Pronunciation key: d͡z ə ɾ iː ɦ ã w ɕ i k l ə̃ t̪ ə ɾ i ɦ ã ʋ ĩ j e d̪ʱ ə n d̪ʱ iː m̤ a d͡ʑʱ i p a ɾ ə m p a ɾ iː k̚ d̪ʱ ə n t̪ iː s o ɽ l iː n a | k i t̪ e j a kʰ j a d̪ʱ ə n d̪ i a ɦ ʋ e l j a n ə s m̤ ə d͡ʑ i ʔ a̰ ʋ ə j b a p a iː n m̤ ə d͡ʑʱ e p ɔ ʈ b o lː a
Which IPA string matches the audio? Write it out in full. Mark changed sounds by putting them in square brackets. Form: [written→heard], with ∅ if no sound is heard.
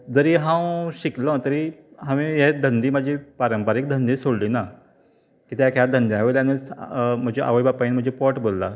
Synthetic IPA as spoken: d͡z ə ɾ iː ɦ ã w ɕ i k l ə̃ t̪ ə ɾ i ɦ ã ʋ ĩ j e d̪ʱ ə n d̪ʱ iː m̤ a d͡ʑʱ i p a ɾ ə m p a ɾ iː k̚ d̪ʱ ə n [t̪→d̪] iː s o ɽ l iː n a | k i t̪ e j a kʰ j a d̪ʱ ə n d̪ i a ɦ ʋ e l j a n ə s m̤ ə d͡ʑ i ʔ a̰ ʋ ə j b a p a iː n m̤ ə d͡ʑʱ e p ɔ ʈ b o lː a